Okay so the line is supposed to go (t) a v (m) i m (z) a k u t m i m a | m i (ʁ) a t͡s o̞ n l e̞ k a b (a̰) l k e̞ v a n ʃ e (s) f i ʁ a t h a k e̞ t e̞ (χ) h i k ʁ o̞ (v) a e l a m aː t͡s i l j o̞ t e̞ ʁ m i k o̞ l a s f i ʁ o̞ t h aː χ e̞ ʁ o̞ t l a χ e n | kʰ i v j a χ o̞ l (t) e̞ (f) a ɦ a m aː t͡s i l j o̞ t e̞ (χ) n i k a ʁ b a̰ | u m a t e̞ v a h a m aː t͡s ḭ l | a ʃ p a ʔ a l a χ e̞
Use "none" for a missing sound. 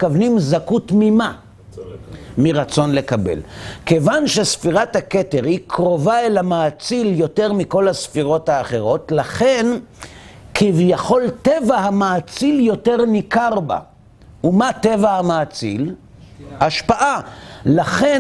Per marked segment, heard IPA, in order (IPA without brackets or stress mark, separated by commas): k, n, z, ʁ, ḛ, s, ʁ, v, t, v, ʁ